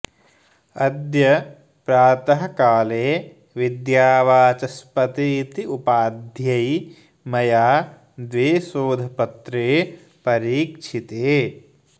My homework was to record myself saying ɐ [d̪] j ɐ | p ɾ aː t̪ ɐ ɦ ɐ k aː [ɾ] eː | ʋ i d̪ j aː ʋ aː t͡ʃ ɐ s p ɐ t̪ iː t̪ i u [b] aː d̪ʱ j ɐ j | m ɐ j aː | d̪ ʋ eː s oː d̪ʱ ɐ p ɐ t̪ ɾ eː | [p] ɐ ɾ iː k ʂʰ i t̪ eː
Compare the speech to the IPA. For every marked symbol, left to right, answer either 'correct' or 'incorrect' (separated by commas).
correct, incorrect, incorrect, correct